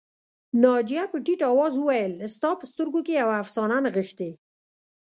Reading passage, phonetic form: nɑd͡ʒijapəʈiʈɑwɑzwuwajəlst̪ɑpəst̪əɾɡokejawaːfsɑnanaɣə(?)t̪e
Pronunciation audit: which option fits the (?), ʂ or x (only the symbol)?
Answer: x